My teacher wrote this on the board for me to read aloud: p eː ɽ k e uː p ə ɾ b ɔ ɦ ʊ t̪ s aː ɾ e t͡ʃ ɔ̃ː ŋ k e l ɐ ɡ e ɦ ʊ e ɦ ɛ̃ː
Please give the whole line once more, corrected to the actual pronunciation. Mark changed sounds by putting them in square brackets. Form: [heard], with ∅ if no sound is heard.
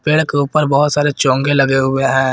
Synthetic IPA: p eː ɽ k e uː p ə ɾ b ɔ ɦ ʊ t̪ s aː ɾ e t͡ʃ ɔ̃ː ŋ [ɡ] e l ɐ ɡ e ɦ ʊ e ɦ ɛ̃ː